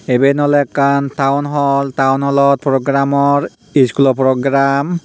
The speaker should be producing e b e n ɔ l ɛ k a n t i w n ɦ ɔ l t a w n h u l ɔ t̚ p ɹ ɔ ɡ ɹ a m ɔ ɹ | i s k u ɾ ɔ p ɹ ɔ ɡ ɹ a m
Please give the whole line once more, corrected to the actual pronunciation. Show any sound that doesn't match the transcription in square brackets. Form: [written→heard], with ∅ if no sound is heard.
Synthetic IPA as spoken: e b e n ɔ l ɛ k a n t [i→a] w n ɦ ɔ l t a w n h [u→ɔ] l ɔ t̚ p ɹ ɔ ɡ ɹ a m ɔ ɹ | i s k u [ɾ→l] ɔ p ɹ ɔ ɡ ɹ a m